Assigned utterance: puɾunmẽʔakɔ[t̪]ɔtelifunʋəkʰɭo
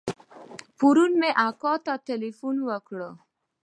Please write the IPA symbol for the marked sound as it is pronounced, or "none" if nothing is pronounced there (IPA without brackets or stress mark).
t̪